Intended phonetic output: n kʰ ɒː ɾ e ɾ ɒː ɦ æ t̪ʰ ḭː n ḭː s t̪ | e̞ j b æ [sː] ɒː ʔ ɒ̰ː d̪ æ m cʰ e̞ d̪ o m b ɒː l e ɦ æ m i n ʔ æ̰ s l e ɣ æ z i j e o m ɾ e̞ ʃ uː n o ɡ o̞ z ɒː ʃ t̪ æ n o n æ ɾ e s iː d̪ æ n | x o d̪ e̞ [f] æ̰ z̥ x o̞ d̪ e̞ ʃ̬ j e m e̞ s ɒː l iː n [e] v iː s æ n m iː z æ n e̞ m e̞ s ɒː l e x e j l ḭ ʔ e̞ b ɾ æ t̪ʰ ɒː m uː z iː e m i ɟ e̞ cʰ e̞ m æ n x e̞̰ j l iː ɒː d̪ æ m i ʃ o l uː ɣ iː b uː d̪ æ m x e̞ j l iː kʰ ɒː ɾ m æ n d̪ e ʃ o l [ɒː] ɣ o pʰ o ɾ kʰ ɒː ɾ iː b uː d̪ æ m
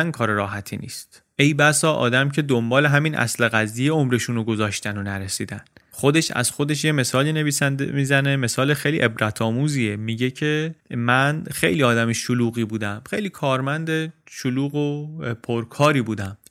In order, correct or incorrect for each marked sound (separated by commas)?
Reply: incorrect, incorrect, correct, incorrect